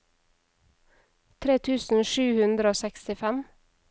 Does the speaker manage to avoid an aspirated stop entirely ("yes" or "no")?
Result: no